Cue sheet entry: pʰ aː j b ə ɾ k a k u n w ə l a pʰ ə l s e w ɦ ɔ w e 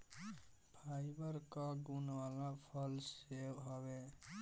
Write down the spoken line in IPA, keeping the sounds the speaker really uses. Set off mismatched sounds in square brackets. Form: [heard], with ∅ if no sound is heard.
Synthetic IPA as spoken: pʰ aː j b ə ɾ k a [ɡ] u n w [a] l a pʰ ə l s e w ɦ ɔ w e